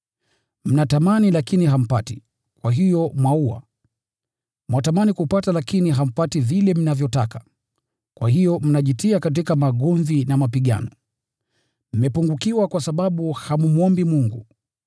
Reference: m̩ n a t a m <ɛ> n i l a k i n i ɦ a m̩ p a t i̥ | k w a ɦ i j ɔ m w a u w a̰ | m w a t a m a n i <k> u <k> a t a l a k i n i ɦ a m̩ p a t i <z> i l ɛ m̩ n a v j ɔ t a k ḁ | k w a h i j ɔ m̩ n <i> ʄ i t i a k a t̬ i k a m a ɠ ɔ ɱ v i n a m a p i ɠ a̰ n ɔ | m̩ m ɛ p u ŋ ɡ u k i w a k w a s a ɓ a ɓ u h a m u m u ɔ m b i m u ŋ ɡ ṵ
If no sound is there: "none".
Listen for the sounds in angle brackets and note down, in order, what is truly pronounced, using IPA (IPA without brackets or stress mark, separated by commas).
a, k, p, v, a